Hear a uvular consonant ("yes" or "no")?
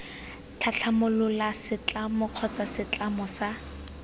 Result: yes